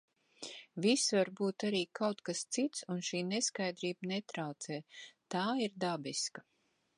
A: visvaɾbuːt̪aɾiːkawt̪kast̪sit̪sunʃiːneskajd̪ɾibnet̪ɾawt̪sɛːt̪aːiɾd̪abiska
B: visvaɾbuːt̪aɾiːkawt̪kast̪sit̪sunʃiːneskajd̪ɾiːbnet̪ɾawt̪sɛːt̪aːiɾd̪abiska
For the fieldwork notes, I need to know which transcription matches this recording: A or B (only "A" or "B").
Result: B